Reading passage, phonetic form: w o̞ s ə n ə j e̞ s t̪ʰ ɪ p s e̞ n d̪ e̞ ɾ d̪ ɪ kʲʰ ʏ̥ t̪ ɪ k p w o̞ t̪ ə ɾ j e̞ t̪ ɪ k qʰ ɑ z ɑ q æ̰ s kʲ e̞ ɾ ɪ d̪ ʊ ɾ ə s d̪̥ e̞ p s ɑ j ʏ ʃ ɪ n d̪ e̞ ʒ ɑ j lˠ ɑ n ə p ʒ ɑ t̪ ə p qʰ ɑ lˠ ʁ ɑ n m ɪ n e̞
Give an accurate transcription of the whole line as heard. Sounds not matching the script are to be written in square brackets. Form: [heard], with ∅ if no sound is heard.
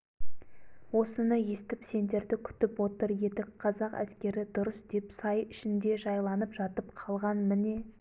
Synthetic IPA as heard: w o̞ s ə n ə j e̞ s [t̪] ɪ p s e̞ n d̪ e̞ ɾ d̪ ɪ kʲʰ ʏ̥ t̪ ɪ [∅] p w o̞ t̪ ə ɾ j e̞ t̪ ɪ k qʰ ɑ z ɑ q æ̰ s kʲ e̞ ɾ ɪ d̪ ʊ ɾ ə s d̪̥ e̞ p s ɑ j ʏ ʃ ɪ n d̪ e̞ ʒ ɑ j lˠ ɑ n ə p ʒ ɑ t̪ ə p qʰ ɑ lˠ ʁ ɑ n m ɪ n e̞

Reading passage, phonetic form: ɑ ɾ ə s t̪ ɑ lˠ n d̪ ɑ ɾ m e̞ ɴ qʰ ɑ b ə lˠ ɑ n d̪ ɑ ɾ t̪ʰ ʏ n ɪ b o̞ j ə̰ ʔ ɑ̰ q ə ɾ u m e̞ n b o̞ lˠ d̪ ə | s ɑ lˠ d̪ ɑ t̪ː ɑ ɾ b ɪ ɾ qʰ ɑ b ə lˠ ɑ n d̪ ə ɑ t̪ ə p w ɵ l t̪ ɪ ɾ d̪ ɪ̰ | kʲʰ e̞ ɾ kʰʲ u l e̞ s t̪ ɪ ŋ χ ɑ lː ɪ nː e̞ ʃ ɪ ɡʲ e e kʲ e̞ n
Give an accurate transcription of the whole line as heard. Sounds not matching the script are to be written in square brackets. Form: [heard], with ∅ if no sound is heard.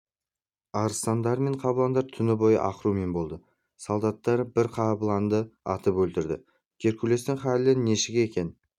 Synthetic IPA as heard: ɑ ɾ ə s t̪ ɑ [∅] n d̪ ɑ ɾ m e̞ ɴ qʰ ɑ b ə lˠ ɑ n d̪ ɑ ɾ t̪ʰ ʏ n ɪ b o̞ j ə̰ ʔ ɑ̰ q ə ɾ u m e̞ n b o̞ lˠ d̪ ə | s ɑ lˠ d̪ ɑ t̪ː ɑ ɾ b ɪ ɾ qʰ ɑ b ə lˠ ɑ n d̪ ə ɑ t̪ ə p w ɵ l t̪ ɪ ɾ d̪ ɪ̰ | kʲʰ e̞ ɾ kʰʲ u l e̞ s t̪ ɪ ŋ χ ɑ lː ɪ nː e̞ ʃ ɪ ɡʲ e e kʲ e̞ n

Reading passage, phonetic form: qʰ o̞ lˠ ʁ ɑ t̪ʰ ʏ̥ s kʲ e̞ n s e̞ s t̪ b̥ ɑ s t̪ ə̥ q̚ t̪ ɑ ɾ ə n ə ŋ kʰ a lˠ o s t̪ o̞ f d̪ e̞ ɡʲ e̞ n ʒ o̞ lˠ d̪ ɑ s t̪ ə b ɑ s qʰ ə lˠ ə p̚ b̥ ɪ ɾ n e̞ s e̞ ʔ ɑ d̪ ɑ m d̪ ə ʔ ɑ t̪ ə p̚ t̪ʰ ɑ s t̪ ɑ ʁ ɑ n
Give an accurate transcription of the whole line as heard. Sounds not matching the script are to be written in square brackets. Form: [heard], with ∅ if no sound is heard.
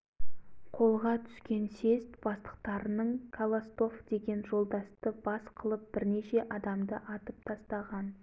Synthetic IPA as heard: qʰ o̞ lˠ ʁ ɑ t̪ʰ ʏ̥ s kʲ e̞ n s e̞ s t̪ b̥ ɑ s t̪ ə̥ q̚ t̪ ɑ ɾ ə n ə [ɴ] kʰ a lˠ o s t̪ o̞ f d̪ e̞ ɡʲ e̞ n ʒ o̞ lˠ d̪ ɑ s t̪ ə b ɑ s qʰ ə lˠ ə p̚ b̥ ɪ ɾ n e̞ [ʃ] e̞ ʔ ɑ d̪ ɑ m d̪ ə ʔ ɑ t̪ ə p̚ t̪ʰ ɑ s t̪ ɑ ʁ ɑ n

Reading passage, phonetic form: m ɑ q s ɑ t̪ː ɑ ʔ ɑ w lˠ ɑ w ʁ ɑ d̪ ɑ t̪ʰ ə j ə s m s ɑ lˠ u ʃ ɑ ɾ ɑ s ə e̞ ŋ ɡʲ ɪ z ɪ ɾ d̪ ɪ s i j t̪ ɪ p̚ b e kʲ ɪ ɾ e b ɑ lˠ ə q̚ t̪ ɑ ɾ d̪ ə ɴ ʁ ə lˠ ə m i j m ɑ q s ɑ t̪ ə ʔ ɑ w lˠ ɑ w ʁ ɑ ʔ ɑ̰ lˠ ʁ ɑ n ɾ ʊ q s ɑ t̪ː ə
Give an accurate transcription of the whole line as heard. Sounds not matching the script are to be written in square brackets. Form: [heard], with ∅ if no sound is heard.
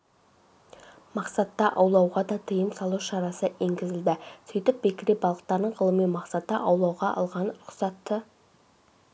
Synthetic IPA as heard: m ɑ q s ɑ t̪ː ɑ ʔ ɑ w lˠ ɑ w ʁ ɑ d̪ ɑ t̪ʰ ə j ə [∅] m s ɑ lˠ u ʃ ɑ ɾ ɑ s ə e̞ ŋ ɡʲ ɪ z ɪ [l] d̪ ɪ s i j t̪ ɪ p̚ b e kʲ ɪ ɾ e b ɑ lˠ ə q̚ t̪ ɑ ɾ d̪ ə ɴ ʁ ə lˠ ə m i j m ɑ q s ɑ t̪ ə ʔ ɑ w lˠ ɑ w ʁ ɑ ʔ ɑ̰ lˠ ʁ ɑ n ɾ ʊ q s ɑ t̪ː ə

